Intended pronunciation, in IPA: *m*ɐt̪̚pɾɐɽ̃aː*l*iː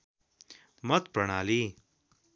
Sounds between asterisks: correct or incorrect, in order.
correct, correct

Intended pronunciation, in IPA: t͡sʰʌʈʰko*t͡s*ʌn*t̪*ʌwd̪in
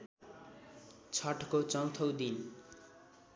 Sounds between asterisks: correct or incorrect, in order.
correct, incorrect: t̪ʰ

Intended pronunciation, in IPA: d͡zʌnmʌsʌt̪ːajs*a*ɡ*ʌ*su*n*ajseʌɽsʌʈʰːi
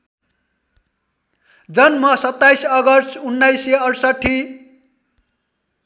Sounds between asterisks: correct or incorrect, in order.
incorrect: ʌ, correct, incorrect: nː

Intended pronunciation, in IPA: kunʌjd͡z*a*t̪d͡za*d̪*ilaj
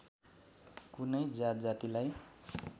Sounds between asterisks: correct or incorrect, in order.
correct, incorrect: t̪

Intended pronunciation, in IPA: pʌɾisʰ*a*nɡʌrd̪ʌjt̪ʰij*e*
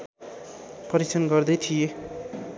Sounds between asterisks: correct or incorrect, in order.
incorrect: ʌ, correct

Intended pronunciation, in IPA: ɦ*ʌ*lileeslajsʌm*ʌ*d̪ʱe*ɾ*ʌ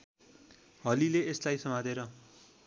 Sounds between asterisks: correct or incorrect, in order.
correct, incorrect: a, correct

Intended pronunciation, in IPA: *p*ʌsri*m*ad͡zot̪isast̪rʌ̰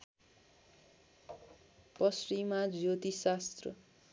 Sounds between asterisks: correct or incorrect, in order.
correct, correct

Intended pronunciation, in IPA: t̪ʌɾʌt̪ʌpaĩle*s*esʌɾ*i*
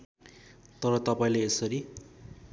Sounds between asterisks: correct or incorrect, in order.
incorrect: none, correct

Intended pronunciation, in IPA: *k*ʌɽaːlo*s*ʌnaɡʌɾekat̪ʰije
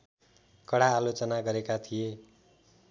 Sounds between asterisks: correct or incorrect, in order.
correct, incorrect: t͡s

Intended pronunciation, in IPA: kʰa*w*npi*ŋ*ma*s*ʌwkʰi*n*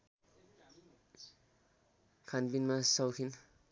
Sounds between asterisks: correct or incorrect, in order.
incorrect: none, incorrect: n, correct, correct

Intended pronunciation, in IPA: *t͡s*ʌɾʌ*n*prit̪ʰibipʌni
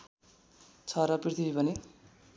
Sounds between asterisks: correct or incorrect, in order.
incorrect: t͡sʰ, incorrect: none

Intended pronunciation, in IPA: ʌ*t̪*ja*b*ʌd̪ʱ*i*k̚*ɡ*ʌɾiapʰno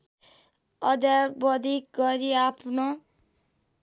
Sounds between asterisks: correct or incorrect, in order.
incorrect: d̪, correct, correct, correct

